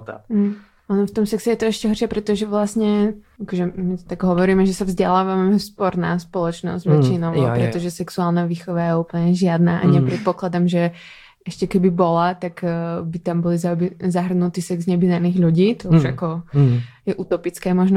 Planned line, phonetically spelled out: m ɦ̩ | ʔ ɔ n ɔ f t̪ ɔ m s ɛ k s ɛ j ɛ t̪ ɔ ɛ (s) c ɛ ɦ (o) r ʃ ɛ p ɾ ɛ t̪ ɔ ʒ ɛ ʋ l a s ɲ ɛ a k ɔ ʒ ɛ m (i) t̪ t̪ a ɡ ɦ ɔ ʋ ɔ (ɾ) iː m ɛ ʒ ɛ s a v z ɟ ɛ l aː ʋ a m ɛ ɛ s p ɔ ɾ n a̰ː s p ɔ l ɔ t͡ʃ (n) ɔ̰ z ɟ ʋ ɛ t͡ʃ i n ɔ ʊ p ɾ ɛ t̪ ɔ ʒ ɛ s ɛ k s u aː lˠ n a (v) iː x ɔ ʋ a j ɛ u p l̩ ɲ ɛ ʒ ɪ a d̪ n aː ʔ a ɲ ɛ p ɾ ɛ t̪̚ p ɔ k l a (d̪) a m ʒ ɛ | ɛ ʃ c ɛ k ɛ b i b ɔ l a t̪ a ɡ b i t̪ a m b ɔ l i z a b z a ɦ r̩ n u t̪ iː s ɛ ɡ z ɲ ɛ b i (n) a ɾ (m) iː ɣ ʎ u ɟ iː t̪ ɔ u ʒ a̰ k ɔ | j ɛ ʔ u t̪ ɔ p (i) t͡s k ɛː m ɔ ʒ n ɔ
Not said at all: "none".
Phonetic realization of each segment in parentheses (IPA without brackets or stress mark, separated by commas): ʃ, ɔ, i, ɾ, n, ʋ, d̪, n, n, i